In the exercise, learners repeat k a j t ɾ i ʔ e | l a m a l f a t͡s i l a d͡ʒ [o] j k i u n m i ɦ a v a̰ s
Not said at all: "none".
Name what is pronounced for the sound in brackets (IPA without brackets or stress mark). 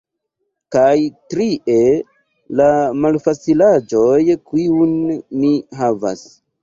o